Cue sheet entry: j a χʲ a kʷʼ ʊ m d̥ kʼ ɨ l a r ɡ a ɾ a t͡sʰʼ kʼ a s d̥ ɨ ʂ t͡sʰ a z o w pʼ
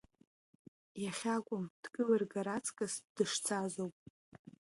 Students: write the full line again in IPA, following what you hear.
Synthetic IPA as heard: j a χʲ a kʷʼ ʊ m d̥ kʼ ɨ l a r ɡ a ɾ a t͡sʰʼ kʼ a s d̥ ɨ ʂ t͡sʰ a z o w pʼ